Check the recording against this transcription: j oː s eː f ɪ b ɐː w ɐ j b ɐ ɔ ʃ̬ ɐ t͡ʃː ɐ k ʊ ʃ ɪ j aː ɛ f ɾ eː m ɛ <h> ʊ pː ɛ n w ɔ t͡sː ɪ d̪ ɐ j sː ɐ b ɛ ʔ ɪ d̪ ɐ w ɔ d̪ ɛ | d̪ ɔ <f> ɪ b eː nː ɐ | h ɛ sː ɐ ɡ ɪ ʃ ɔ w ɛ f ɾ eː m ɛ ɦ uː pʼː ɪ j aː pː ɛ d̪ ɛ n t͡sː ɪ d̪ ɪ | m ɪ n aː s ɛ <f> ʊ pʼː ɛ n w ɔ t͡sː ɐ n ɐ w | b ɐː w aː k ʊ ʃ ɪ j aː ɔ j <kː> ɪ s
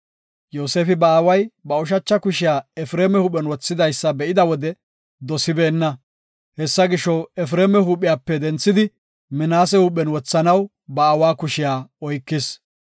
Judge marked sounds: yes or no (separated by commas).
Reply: yes, no, no, yes